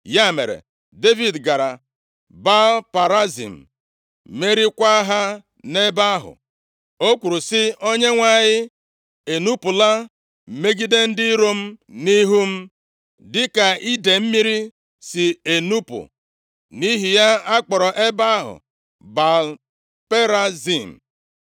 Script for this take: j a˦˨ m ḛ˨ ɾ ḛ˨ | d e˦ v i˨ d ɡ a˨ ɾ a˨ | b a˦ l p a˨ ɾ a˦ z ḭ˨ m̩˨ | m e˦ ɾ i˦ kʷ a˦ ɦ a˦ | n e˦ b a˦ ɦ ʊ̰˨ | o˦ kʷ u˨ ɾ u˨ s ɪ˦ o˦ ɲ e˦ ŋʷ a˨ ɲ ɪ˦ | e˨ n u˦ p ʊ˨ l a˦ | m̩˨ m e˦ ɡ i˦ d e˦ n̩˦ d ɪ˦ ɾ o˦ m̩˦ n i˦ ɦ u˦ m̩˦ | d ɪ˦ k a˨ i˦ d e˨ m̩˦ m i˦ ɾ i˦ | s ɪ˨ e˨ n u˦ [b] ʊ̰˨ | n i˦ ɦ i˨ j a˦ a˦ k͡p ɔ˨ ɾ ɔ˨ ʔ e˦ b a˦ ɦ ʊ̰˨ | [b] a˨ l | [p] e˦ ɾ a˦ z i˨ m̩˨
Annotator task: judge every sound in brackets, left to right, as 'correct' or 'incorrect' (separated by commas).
incorrect, correct, correct